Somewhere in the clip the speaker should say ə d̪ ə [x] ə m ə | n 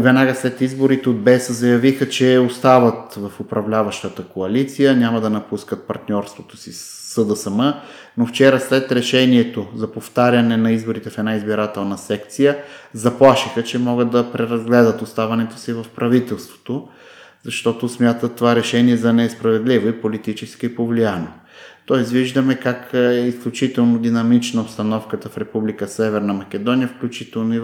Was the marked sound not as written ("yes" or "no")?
yes